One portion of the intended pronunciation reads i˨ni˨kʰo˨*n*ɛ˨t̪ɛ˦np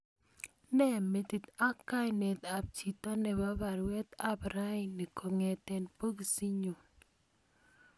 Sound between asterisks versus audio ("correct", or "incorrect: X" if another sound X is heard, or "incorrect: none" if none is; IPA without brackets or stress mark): incorrect: ŋ